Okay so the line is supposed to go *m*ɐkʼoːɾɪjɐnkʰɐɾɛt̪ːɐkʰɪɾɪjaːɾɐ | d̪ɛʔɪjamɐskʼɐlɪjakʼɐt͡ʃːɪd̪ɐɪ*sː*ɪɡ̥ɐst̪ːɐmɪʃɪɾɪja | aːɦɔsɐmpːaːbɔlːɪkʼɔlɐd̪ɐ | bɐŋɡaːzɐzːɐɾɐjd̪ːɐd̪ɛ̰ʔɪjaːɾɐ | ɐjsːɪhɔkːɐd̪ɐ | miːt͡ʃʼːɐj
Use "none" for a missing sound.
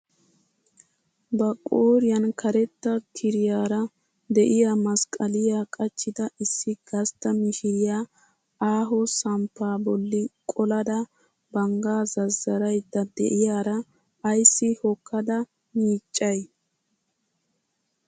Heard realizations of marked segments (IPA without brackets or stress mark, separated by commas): b, sː